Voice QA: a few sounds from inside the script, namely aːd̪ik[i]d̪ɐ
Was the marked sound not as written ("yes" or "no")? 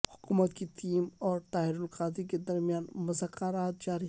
yes